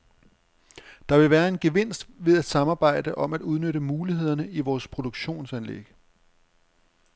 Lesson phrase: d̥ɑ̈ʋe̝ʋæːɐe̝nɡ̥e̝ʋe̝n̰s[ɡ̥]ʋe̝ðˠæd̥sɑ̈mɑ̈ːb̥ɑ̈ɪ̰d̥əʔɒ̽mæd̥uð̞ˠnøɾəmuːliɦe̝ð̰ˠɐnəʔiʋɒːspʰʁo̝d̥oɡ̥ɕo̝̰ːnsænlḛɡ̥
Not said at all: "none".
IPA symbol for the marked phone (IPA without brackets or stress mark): d̥